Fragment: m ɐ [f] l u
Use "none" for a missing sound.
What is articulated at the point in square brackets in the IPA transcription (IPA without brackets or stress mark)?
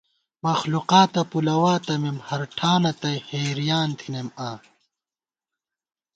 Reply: x